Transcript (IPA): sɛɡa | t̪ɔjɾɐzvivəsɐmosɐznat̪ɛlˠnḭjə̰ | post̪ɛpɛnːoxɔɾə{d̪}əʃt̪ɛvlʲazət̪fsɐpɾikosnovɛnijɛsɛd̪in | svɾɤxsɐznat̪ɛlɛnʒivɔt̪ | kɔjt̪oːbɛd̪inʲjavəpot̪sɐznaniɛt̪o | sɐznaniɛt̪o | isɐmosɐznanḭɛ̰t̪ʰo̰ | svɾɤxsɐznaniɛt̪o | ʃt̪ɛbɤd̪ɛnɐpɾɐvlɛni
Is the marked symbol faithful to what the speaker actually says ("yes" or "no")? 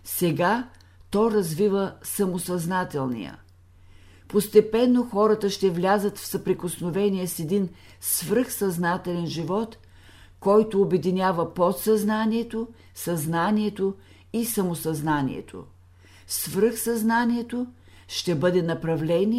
no